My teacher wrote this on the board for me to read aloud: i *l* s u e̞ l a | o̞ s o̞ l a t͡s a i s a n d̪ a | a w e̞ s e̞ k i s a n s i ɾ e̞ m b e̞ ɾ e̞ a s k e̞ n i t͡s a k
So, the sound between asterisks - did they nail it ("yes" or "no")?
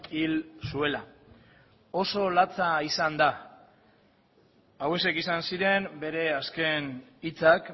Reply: yes